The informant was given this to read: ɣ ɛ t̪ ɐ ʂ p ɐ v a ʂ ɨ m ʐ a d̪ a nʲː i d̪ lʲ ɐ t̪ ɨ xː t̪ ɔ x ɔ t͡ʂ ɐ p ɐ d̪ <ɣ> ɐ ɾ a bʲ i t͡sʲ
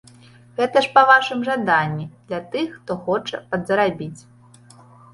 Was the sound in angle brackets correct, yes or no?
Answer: no